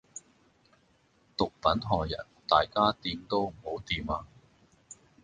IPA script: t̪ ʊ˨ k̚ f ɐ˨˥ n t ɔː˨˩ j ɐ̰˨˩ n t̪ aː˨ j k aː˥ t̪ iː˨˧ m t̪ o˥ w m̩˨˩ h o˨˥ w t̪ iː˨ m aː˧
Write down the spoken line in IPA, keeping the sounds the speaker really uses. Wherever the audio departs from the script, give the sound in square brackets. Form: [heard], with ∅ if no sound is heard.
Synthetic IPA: t̪ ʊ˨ k̚ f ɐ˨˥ n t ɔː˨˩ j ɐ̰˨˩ n t̪ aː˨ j k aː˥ t̪ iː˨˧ m t̪ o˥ w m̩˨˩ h o˨˥ w t̪ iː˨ m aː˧